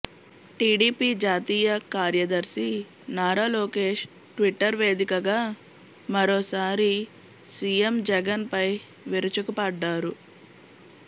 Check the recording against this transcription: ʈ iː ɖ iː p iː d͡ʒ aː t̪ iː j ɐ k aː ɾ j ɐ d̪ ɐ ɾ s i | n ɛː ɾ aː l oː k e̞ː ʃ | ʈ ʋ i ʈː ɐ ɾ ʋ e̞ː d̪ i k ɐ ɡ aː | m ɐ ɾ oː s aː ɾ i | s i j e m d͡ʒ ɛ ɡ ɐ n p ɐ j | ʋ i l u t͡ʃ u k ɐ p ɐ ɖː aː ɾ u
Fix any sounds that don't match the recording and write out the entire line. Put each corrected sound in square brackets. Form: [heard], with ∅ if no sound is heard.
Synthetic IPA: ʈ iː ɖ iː p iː d͡ʒ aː t̪ iː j ɐ k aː ɾ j ɐ d̪ ɐ ɾ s i | n [aː] ɾ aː l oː k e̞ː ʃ | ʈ ʋ i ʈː ɐ ɾ ʋ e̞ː d̪ i k ɐ ɡ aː | m ɐ ɾ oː s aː ɾ i | s i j e m d͡ʒ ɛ ɡ ɐ n p ɐ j | ʋ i [ɾ] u t͡ʃ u k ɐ p ɐ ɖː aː ɾ u